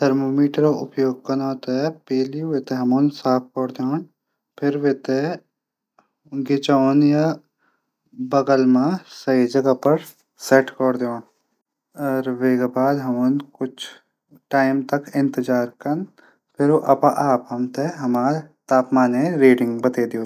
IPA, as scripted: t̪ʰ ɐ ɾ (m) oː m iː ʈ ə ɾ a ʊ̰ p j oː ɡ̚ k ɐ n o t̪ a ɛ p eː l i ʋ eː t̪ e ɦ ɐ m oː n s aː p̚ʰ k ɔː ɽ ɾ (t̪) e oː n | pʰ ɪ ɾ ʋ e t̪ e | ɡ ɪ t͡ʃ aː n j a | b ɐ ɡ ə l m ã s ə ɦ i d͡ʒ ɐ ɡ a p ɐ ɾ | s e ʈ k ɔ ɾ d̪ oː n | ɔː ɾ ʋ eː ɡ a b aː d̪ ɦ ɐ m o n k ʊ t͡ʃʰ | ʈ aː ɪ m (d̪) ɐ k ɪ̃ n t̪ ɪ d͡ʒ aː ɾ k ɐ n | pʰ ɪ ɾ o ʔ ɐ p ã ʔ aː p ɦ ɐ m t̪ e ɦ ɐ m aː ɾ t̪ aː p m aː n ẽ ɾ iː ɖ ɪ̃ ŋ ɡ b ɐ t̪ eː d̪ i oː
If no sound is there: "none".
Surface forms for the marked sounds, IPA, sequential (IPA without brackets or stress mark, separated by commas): m, d̪, t̪